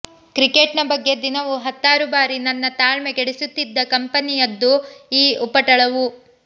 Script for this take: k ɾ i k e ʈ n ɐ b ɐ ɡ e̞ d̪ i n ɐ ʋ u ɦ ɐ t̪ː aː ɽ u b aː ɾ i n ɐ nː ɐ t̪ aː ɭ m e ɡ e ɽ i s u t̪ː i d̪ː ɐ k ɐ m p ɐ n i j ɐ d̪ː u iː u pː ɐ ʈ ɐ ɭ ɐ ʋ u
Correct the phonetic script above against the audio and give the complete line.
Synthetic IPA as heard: k ɾ i k e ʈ n ɐ b ɐ ɡː e̞ d̪ i n ɐ ʋ u ɦ ɐ t̪ː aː ɾ u b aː ɾ i n ɐ nː ɐ t̪ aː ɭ m e ɡ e ɽ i s u t̪ː i d̪ː ɐ k ɐ m p ɐ n i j ɐ d̪ː u iː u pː ɐ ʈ ɐ ɭ ɐ ʋ u